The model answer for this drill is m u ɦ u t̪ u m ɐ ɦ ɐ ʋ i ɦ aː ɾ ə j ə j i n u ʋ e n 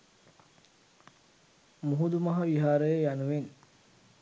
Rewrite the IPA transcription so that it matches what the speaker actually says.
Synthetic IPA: m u ɦ u d̪ u m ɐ ɦ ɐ ʋ i ɦ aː ɾ ə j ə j a n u ʋ e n